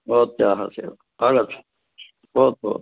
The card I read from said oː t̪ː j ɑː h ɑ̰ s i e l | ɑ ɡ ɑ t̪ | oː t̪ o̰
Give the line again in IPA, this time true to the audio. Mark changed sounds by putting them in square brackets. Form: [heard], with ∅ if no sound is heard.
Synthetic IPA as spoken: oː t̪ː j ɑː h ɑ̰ s i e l | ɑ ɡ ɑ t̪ | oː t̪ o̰